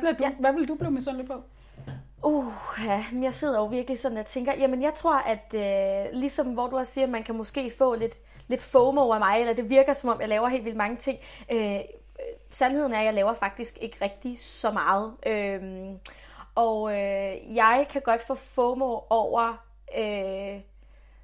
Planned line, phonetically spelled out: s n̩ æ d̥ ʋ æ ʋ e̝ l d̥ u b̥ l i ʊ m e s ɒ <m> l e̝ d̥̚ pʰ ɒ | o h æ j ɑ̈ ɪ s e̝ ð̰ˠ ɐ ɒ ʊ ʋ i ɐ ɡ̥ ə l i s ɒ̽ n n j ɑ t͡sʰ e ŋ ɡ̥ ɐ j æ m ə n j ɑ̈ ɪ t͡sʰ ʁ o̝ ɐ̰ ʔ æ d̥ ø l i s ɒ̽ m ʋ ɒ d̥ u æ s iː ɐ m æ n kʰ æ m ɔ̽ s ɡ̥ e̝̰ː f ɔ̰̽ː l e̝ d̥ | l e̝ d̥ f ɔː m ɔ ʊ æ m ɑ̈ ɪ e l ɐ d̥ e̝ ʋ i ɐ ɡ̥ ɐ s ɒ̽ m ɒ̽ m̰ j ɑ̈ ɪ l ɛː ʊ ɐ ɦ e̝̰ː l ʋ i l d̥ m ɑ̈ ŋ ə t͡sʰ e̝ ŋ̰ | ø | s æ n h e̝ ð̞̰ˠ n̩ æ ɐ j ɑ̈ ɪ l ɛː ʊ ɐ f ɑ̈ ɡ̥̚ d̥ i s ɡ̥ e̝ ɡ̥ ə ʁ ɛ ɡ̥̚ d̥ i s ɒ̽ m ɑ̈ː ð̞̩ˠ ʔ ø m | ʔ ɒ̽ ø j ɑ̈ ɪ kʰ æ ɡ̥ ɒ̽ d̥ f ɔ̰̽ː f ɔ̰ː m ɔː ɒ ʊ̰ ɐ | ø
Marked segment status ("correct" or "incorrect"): incorrect